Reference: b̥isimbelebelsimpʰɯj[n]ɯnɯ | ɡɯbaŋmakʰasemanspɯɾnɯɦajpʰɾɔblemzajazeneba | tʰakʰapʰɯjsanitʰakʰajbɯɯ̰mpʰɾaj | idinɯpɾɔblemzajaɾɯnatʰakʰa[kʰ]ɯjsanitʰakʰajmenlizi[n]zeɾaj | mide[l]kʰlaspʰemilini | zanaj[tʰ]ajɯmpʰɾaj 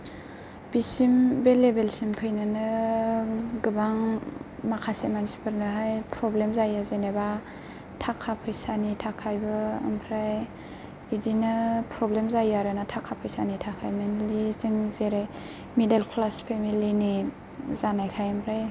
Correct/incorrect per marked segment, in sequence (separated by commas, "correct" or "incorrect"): correct, incorrect, incorrect, correct, incorrect